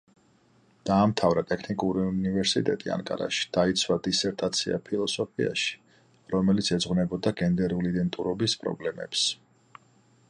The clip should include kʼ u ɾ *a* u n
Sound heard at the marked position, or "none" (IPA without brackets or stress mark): i